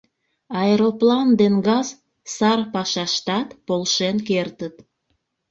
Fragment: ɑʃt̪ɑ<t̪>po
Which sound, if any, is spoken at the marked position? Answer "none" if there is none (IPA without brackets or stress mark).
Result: t̪